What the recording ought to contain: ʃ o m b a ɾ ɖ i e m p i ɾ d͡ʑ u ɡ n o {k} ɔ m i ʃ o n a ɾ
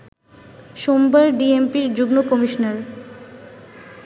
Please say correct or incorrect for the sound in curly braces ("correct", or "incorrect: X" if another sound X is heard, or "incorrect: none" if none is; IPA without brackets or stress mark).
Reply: correct